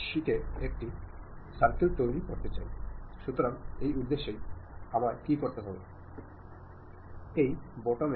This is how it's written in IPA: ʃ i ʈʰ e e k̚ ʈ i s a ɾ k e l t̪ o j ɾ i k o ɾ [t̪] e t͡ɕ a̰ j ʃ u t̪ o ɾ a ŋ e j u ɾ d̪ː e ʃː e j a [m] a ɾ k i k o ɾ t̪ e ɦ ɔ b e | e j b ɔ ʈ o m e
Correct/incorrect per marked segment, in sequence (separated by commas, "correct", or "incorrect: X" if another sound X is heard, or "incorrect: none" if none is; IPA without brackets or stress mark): correct, correct